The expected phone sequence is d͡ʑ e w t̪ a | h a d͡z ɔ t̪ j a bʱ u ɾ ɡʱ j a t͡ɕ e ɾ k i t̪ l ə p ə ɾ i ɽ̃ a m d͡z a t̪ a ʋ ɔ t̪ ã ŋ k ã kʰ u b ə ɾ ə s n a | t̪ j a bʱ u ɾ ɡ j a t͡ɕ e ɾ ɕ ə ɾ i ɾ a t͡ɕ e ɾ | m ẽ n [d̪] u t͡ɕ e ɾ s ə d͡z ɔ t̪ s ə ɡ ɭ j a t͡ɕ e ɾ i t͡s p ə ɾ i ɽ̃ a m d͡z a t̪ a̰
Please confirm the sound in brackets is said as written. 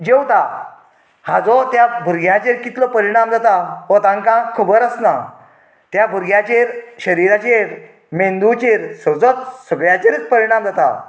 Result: yes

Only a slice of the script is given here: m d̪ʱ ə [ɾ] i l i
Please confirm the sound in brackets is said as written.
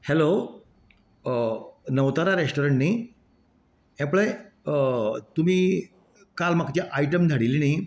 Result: no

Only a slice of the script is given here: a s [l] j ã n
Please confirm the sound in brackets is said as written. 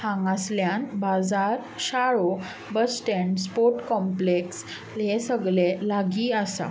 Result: yes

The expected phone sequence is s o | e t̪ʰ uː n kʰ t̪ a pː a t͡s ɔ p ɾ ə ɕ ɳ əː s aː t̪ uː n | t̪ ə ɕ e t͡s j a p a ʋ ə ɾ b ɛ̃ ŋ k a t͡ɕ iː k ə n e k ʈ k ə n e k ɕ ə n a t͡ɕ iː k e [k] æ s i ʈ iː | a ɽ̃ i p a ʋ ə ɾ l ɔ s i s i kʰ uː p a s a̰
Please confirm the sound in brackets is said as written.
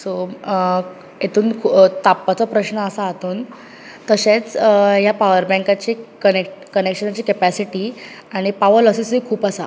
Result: no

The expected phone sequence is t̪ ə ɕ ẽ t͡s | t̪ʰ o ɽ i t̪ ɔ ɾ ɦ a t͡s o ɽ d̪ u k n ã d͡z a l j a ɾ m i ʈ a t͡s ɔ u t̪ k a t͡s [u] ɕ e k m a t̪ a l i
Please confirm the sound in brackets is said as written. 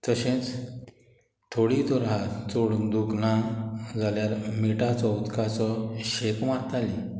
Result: no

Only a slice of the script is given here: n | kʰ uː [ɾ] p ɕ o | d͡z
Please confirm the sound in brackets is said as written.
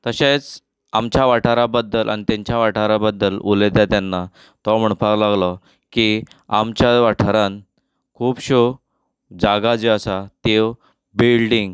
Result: no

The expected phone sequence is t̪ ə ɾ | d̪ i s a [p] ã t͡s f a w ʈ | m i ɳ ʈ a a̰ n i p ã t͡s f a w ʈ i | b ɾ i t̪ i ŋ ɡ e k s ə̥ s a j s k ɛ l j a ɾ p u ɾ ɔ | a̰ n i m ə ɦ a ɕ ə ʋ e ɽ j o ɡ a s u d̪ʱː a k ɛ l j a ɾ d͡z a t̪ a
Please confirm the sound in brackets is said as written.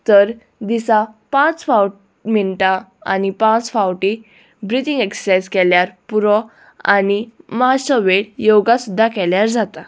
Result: yes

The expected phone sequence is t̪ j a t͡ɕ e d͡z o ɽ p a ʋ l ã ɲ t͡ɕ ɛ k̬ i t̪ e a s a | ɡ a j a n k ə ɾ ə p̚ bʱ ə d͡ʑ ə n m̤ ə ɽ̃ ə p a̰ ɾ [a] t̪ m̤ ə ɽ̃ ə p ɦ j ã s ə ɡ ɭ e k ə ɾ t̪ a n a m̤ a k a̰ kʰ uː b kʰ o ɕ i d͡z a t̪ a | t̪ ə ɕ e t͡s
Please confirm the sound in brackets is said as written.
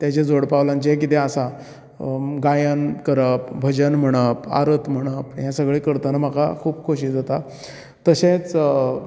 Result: no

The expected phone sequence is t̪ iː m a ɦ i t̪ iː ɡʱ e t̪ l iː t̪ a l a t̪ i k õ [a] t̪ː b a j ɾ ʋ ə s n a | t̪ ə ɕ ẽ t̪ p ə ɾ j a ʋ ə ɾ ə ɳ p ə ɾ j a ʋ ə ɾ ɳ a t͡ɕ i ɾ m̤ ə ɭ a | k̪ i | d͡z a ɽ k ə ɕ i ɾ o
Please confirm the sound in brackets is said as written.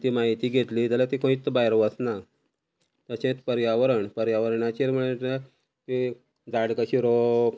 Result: no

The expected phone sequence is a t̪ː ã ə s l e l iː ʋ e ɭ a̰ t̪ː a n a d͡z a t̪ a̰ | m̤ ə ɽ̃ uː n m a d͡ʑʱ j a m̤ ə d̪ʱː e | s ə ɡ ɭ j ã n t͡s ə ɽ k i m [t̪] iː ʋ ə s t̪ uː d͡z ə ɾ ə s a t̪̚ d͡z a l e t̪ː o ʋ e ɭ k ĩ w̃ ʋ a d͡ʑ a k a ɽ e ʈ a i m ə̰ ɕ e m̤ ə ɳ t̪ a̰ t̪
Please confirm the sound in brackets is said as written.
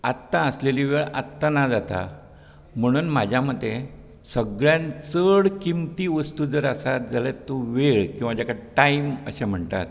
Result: yes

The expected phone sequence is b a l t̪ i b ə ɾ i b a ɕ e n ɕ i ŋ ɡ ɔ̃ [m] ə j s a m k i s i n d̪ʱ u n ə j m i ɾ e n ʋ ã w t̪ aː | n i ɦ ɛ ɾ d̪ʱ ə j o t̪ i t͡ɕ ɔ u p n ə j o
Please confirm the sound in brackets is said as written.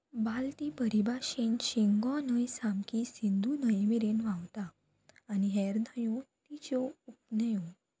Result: no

